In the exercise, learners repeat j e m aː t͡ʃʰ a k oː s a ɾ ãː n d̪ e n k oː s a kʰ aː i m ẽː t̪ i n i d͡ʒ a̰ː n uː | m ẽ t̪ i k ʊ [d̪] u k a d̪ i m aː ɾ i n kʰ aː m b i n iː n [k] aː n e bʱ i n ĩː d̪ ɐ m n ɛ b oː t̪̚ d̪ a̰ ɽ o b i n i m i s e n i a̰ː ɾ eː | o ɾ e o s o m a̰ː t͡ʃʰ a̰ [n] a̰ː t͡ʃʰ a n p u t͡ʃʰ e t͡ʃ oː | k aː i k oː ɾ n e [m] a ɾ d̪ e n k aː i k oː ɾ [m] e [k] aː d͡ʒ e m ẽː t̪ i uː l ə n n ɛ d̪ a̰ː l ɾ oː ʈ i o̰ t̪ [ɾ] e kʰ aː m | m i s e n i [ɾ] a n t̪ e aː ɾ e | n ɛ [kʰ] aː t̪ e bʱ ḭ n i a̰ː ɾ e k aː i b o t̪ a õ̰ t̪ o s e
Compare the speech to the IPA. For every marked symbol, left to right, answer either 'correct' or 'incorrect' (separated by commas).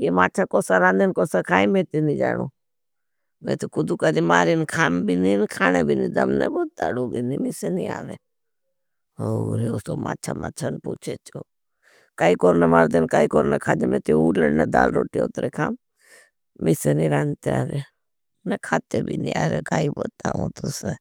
correct, incorrect, incorrect, correct, incorrect, incorrect, correct, correct, correct